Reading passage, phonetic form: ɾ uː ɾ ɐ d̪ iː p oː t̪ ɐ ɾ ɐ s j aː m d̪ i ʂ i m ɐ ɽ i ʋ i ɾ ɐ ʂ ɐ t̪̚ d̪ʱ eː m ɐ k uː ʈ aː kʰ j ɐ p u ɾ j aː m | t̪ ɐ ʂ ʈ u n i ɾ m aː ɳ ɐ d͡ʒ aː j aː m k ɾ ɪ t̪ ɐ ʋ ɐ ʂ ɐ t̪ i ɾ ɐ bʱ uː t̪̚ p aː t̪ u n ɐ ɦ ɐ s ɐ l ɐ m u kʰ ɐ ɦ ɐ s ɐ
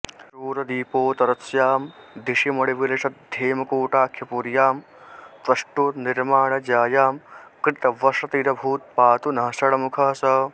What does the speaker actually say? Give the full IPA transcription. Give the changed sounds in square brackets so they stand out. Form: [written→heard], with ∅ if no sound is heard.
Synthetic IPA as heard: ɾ uː ɾ ɐ d̪ iː p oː t̪ ɐ ɾ ɐ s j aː m d̪ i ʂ i m ɐ ɽ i ʋ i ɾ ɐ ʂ ɐ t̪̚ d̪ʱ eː m ɐ k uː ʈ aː kʰ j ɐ p u ɾ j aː m | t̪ ɐ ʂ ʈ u n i ɾ m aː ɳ ɐ d͡ʒ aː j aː m k ɾ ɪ t̪ ɐ ʋ ɐ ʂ ɐ t̪ i ɾ ɐ bʱ uː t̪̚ p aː t̪ u n ɐ ɦ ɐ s ɐ [l→ɽ] ɐ m u kʰ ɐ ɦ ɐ s ɐ